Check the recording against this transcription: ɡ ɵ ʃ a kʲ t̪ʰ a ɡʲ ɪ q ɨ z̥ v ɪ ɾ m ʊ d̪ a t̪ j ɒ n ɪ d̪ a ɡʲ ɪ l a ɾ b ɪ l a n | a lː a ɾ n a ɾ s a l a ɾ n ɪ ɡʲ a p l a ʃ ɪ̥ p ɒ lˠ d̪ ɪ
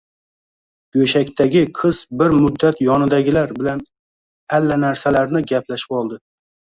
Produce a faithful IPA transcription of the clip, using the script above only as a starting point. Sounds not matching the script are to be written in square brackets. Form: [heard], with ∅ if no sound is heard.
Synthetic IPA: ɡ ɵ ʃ a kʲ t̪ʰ a ɡʲ ɪ [qʰ] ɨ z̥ [b] ɪ ɾ m ʊ [d̪ː] a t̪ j ɒ n ɪ d̪ a ɡʲ ɪ l a ɾ b ɪ l a n | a lː a [∅] n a ɾ s a l a ɾ n ɪ ɡʲ a p l a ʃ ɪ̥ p ɒ lˠ d̪ ɪ